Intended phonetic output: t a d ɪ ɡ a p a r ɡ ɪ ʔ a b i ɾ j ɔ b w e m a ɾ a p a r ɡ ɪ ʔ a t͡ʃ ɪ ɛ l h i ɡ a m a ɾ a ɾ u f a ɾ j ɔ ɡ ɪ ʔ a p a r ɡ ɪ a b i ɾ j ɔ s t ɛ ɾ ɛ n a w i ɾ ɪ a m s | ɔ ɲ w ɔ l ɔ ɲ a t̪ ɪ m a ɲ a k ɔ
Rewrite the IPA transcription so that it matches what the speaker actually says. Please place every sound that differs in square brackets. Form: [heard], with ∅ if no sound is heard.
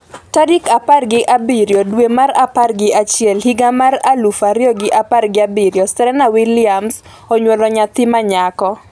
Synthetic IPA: t a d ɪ [k] a p a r ɡ ɪ ʔ a b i ɾ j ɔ [d] w e m a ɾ a p a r ɡ ɪ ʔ a t͡ʃ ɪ ɛ l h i ɡ a m a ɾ a [l] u f a ɾ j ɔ ɡ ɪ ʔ a p a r ɡ ɪ a b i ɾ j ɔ s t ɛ ɾ ɛ n a w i [l] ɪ a m s | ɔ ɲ w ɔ l ɔ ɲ a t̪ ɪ m a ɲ a k ɔ